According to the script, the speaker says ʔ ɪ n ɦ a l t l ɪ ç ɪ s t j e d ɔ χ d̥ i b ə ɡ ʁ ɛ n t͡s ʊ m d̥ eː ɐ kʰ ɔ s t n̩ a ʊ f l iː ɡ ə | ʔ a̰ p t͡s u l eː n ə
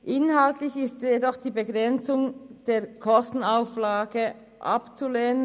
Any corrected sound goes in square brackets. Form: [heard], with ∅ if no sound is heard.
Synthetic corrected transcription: ʔ ɪ n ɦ a l t l ɪ ç ɪ s t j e d ɔ χ d̥ [iː] b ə ɡ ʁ ɛ n t͡s ʊ [ŋ] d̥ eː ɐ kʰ ɔ s t n̩ a ʊ f l [aː] ɡ ə | ʔ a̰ p t͡s u l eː n ə